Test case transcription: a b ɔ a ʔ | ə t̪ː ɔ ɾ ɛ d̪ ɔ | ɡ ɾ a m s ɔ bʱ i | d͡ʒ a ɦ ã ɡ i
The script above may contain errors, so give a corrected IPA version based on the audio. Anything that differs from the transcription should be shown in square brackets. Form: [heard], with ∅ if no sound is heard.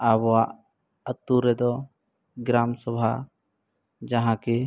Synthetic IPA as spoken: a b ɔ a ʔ | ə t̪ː [u] ɾ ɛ d̪ ɔ | ɡ ɾ a m s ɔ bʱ [a] | d͡ʒ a ɦ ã [k] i

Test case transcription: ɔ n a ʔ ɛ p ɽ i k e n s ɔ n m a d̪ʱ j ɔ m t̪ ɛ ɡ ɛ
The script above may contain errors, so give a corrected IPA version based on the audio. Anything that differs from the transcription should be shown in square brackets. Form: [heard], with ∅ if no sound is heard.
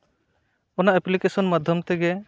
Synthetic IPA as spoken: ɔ n a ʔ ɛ p [l] i k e [∅] s ɔ n m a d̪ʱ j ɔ m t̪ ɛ ɡ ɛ

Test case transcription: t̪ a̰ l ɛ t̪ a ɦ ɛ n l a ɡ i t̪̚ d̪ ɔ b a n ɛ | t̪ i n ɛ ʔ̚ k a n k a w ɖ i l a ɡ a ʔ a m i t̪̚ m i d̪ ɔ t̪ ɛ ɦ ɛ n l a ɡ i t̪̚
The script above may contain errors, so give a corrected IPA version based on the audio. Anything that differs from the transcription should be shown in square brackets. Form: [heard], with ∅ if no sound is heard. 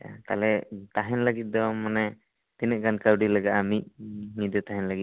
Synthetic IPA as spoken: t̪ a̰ l ɛ t̪ a ɦ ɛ n l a ɡ i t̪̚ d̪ ɔ [m] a n ɛ | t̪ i n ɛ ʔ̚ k a n k a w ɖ i l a ɡ a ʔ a m i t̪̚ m i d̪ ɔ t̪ [a] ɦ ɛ n l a ɡ i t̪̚

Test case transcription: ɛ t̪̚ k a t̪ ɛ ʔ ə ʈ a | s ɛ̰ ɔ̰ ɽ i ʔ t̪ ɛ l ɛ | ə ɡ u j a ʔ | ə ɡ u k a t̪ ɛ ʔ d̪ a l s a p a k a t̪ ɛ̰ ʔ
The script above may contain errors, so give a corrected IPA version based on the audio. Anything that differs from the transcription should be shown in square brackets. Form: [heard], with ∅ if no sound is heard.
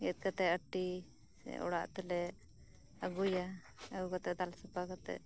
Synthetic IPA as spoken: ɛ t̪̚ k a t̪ ɛ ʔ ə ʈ [i] | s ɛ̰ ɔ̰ ɽ [a] ʔ t̪ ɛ l ɛ | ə ɡ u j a [∅] | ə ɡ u k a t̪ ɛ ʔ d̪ a l s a p a k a t̪ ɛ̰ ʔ

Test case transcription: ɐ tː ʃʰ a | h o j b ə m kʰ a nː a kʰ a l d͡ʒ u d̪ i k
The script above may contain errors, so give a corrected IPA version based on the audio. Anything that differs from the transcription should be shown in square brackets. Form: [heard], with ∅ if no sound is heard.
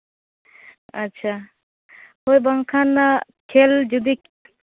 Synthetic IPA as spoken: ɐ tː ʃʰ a | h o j b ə [ŋ] kʰ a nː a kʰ [e] l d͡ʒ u d̪ i k

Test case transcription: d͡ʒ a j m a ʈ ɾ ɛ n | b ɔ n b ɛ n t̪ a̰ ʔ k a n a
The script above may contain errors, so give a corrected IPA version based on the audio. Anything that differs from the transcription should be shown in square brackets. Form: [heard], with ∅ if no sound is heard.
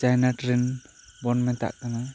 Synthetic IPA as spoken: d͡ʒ a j [n] a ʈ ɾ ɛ n | b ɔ n [m] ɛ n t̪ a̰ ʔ k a n a

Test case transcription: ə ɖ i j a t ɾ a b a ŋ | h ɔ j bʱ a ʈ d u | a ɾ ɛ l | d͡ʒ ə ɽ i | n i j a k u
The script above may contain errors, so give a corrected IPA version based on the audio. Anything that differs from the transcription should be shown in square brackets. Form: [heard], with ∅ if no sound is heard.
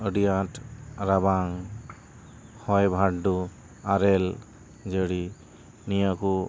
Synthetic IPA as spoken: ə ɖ i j a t ɾ a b a ŋ | h ɔ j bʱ a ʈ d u | a ɾ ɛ l | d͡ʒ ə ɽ i | n i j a k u

